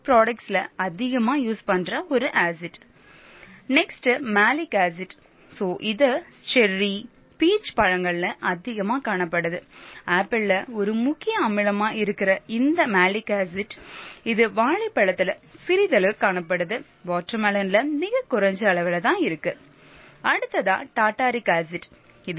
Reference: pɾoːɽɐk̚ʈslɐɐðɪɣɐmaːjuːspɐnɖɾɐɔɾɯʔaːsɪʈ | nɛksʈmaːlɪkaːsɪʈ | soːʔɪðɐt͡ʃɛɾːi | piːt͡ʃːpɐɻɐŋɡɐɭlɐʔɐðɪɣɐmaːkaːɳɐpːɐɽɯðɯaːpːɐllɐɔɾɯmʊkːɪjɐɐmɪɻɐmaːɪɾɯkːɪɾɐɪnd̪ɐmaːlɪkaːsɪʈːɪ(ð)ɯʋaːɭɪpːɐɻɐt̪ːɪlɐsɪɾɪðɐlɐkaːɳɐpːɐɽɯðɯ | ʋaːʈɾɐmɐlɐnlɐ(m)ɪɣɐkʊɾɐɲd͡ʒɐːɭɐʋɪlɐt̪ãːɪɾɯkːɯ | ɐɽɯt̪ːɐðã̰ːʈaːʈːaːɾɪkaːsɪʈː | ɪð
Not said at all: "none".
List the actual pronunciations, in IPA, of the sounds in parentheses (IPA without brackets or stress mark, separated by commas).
ð, m